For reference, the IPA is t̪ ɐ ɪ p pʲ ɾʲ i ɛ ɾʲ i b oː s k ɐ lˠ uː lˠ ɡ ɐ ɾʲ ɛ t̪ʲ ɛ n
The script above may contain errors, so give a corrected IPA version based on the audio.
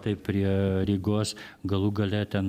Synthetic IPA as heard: t̪ ɐ ɪ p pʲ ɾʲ i ɛ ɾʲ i ɡ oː s ɡ ɐ lˠ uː ɡ ɐ lʲ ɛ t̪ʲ ɛ n